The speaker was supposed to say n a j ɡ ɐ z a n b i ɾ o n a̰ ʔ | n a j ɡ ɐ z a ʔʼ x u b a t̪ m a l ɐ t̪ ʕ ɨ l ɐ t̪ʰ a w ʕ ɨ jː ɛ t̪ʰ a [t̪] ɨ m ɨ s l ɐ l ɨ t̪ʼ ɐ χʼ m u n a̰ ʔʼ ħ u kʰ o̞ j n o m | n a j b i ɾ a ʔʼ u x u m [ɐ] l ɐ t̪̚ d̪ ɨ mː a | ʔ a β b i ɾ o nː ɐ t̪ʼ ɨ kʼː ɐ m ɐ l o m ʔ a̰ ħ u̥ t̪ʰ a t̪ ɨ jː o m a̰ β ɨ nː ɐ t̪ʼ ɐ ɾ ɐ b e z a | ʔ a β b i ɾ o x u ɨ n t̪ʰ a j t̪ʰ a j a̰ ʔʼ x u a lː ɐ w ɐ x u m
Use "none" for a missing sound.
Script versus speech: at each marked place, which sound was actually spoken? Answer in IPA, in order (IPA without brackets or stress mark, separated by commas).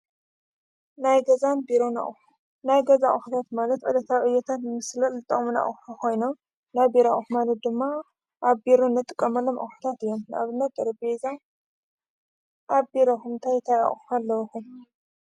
t̪, a